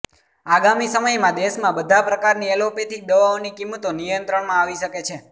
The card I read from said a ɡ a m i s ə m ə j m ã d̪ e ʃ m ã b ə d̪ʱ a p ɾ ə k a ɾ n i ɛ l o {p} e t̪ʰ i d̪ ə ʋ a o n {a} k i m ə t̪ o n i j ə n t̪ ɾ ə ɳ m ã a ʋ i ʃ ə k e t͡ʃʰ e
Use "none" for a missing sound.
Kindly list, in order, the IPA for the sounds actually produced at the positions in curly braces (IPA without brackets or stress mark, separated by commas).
p, i